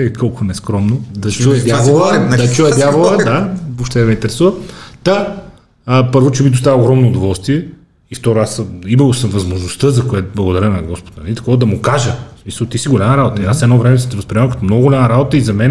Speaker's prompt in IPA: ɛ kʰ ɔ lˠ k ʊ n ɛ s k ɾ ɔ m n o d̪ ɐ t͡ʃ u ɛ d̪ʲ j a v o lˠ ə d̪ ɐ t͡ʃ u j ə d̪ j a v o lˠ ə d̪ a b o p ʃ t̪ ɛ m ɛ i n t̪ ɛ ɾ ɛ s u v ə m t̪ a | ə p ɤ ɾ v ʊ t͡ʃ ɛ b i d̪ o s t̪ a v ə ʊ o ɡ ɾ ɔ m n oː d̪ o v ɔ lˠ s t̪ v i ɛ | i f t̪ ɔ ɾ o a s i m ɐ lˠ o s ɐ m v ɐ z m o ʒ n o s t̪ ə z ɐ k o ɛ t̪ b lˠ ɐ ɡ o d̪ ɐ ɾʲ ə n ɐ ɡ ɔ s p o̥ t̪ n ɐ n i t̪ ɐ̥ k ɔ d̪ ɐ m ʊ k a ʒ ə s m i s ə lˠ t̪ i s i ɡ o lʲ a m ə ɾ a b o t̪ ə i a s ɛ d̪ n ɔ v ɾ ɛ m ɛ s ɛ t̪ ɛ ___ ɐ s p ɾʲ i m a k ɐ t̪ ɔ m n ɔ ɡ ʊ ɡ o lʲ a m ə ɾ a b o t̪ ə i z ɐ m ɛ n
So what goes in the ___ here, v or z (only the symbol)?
v